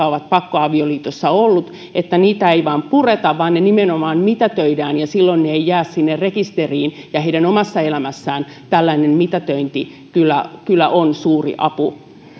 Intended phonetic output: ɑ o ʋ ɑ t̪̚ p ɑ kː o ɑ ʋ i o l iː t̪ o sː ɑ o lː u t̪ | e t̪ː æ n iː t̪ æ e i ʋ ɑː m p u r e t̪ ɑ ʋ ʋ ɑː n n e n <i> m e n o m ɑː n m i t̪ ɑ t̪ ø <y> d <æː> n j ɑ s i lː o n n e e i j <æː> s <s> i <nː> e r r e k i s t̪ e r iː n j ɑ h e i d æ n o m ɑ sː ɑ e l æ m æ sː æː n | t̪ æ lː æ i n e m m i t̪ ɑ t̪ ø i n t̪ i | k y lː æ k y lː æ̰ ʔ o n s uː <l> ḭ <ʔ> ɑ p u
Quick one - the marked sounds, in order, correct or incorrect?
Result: correct, incorrect: i, correct, correct, correct, correct, incorrect: r, correct

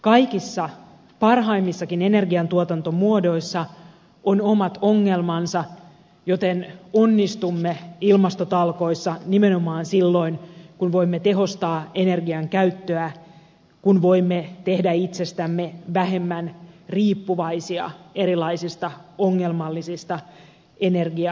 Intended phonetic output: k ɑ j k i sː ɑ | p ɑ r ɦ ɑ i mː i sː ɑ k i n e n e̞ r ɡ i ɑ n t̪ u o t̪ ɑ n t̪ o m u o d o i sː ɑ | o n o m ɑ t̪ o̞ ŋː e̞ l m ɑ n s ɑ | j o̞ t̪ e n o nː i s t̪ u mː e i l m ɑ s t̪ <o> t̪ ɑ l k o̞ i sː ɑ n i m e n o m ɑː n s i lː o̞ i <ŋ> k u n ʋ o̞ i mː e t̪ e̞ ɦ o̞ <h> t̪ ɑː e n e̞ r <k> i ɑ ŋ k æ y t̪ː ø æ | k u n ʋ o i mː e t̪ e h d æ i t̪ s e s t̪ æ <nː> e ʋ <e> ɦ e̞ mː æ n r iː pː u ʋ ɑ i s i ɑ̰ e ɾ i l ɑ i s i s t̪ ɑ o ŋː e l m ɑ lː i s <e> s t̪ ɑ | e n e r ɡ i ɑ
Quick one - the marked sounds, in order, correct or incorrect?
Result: correct, incorrect: n, incorrect: s, incorrect: ɡ, incorrect: mː, incorrect: æ, incorrect: i

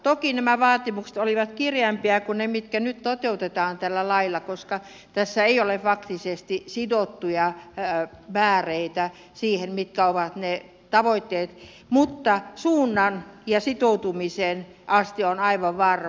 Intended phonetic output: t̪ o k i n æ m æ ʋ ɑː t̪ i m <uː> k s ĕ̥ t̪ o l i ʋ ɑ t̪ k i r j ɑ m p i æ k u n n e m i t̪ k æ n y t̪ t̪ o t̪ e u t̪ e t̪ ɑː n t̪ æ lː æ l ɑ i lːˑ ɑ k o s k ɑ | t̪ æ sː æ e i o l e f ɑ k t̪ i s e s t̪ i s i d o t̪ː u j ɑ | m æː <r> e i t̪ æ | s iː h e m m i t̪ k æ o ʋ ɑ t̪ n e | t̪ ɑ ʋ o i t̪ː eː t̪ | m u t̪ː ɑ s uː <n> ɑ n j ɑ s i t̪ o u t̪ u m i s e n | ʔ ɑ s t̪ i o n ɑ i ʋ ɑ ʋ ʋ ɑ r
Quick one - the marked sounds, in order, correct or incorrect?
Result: incorrect: u, correct, incorrect: nː

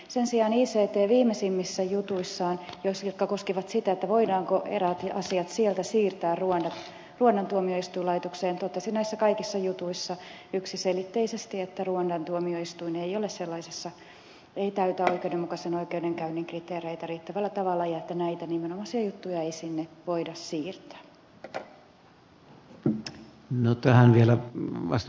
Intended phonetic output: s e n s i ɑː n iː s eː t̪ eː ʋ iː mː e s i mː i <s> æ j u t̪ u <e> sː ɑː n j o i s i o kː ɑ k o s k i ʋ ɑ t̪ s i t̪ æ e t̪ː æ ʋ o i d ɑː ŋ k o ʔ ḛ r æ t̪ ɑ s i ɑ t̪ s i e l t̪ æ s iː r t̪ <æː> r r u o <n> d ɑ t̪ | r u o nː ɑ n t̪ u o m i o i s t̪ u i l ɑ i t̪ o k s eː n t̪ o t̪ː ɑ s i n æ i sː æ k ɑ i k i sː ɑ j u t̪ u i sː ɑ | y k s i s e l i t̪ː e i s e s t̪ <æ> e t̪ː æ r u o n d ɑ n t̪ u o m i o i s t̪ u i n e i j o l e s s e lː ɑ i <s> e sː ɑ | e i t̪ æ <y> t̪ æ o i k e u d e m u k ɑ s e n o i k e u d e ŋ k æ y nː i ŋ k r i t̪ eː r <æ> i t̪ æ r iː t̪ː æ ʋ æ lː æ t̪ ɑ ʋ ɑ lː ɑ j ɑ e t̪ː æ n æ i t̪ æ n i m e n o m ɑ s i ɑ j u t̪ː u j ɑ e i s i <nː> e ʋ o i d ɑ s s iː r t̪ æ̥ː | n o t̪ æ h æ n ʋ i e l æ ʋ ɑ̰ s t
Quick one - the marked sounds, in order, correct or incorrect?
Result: incorrect: sː, incorrect: i, correct, correct, incorrect: i, correct, correct, incorrect: e, correct

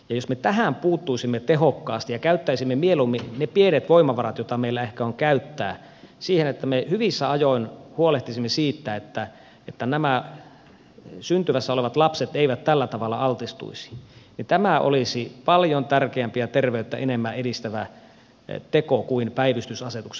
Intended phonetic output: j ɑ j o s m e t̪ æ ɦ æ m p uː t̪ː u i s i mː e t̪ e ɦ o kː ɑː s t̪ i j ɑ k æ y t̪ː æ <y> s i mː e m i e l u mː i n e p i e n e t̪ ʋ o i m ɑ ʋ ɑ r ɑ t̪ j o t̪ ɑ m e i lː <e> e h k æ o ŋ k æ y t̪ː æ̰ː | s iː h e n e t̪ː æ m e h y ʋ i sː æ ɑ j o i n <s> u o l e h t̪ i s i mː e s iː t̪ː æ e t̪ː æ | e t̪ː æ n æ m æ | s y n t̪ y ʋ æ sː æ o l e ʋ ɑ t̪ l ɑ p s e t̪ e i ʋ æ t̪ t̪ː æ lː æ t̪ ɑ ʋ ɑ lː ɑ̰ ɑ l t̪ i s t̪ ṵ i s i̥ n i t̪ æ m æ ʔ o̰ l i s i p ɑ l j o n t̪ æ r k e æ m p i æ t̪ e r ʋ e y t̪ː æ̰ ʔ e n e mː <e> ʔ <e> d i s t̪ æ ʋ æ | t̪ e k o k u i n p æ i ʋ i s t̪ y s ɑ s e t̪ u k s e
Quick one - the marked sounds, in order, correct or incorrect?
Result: incorrect: i, incorrect: æ, incorrect: h, incorrect: æ, correct

